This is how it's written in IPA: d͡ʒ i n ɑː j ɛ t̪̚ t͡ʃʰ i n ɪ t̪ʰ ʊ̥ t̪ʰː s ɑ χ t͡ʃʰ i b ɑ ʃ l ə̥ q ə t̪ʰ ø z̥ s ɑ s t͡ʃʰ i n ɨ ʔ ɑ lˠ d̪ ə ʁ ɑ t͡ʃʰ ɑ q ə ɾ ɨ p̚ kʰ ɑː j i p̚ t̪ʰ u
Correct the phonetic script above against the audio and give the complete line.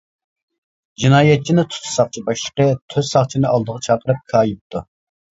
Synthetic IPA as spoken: d͡ʒ i n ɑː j ɛ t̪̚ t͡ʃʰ i n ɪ t̪ʰ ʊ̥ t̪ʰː s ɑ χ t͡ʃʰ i b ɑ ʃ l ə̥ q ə t̪ʰ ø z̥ s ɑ χ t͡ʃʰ i n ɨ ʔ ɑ lˠ d̪ ə ʁ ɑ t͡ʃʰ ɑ q ə ɾ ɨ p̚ kʰ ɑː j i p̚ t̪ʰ u